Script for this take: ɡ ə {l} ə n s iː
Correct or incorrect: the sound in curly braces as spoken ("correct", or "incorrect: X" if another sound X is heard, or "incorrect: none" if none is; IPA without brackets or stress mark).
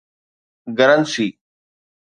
incorrect: ɾ